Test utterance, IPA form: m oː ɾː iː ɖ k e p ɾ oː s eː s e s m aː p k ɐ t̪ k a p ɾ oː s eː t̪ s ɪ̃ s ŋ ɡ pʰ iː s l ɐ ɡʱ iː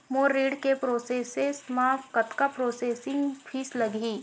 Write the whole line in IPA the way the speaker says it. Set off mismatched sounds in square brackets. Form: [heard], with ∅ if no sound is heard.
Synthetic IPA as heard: m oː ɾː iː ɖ k e p ɾ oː s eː s e s m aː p k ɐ t̪ k a p ɾ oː s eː [∅] s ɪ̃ [∅] ŋ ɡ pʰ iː s l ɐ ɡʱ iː

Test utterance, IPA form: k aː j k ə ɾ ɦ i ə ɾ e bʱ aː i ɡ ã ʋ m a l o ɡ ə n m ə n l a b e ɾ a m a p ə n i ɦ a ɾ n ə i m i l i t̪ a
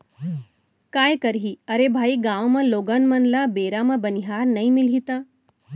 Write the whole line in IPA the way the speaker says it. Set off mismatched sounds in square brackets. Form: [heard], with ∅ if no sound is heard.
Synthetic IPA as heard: k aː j k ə ɾ ɦ i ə ɾ e bʱ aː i ɡ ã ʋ m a l o ɡ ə n m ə n l a b e ɾ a m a [b] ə n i ɦ a ɾ n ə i m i l i t̪ a

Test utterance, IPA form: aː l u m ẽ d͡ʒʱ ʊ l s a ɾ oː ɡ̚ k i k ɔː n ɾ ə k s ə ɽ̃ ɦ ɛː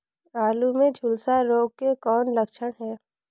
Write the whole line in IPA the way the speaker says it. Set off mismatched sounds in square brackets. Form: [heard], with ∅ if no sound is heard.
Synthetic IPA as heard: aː l u m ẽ d͡ʒʱ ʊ l s a ɾ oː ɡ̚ k [e] k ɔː n [l] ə k [ʃ] ə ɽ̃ ɦ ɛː

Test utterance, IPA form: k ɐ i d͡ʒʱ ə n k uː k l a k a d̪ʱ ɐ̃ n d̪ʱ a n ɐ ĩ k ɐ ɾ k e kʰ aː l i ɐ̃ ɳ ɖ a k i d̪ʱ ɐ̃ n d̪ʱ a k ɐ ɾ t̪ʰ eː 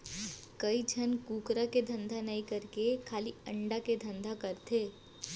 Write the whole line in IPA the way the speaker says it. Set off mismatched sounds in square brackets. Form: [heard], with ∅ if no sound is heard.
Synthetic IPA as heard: k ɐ i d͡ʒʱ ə n k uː k [ɾ] a k [e] d̪ʱ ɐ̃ n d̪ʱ a n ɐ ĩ k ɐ ɾ k e kʰ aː l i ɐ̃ ɳ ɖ a k [e] d̪ʱ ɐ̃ n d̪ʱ a k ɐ ɾ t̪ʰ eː

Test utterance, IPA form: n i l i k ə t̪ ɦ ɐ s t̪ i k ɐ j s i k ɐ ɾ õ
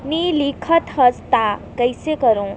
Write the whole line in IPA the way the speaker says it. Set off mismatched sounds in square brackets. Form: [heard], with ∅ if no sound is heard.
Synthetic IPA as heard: n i l i [kʰ] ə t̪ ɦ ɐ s t̪ [a] k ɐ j s [e] k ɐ ɾ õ

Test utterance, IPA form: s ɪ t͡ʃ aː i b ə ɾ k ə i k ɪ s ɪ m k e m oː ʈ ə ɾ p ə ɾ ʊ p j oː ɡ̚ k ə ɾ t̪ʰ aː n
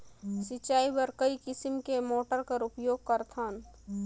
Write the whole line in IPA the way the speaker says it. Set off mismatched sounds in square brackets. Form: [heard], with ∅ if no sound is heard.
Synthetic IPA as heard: s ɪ t͡ʃ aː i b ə ɾ k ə i k ɪ s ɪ m k e m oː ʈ ə ɾ [k] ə ɾ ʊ p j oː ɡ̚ k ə ɾ t̪ʰ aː n

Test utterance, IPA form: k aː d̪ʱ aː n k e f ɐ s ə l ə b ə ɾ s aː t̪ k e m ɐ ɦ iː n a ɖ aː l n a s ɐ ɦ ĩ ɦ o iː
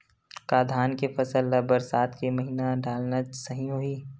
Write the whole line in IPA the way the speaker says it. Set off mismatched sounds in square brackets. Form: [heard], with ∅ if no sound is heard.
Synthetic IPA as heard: k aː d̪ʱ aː n k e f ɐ s ə l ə b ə ɾ s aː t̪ k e m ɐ ɦ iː n a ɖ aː l n a s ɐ ɦ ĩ ɦ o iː

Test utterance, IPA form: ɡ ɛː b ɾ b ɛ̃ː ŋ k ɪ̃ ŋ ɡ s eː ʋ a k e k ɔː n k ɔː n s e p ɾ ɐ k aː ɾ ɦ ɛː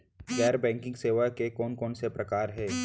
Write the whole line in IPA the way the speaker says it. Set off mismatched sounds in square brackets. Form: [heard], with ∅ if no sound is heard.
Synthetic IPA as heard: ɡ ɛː [∅] ɾ b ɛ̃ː ŋ k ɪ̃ ŋ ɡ s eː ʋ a k e k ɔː n k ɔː n s e p ɾ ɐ k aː ɾ ɦ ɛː

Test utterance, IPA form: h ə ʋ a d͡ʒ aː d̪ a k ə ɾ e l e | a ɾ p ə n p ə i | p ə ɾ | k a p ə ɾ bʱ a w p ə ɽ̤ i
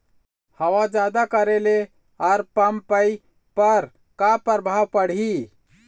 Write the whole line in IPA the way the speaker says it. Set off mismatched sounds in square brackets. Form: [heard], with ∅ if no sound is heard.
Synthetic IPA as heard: h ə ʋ a d͡ʒ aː d̪ a k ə ɾ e l e | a ɾ p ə [m] p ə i | p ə ɾ | k a p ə ɾ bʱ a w p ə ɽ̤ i

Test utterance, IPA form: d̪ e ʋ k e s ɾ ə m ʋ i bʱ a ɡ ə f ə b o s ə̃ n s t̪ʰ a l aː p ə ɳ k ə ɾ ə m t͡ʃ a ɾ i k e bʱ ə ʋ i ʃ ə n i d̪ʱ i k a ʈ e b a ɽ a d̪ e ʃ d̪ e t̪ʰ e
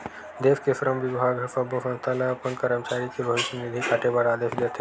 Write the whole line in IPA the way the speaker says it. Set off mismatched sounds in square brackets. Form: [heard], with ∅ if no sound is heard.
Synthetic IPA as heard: d̪ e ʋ k e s ɾ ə m ʋ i bʱ a ɡ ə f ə b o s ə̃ n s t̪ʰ a l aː p ə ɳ k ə ɾ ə m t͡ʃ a ɾ i k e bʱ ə ʋ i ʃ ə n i d̪ʱ i k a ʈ e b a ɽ a d̪ e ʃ d̪ e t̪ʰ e

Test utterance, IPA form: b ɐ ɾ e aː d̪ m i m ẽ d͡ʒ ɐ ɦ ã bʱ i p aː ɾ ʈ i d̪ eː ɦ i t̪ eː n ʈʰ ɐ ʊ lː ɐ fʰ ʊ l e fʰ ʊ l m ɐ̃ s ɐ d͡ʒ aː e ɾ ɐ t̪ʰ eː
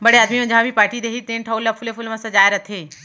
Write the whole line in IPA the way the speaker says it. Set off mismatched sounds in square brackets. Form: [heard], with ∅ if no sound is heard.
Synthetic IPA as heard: b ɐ [ɽ] e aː d̪ m i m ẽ d͡ʒ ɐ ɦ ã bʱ i p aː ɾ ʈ i d̪ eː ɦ i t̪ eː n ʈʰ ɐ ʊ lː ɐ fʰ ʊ l e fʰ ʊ l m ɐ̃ s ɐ d͡ʒ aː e ɾ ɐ t̪ʰ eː

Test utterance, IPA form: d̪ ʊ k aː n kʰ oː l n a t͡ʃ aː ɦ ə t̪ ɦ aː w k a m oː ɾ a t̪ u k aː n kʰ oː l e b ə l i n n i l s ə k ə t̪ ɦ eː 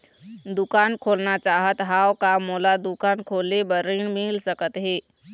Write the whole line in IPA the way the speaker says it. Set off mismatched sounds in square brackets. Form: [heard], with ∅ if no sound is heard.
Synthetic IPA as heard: d̪ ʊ k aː n kʰ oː l n a t͡ʃ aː ɦ ə t̪ ɦ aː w k a m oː [l] a [d̪] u k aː n kʰ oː l e b ə [ɾ] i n [m] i l s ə k ə t̪ ɦ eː

